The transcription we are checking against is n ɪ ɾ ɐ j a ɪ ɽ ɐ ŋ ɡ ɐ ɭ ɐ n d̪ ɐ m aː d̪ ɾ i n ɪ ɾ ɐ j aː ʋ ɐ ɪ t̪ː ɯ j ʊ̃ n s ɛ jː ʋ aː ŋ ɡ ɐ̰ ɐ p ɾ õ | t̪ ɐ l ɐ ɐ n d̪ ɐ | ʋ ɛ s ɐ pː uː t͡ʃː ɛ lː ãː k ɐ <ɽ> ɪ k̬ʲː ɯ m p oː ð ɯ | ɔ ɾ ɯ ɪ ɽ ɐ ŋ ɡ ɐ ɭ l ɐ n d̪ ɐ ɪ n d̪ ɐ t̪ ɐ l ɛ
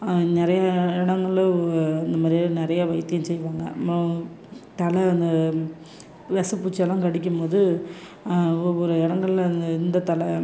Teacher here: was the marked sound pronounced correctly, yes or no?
yes